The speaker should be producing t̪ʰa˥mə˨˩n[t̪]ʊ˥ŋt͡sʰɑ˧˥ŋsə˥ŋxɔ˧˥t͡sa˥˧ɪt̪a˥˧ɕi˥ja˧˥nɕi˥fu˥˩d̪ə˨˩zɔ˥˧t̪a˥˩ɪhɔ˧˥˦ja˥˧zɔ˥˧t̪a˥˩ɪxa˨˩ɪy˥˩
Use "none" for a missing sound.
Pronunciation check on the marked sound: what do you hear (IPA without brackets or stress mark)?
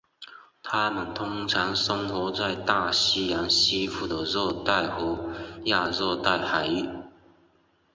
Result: t̪ʰ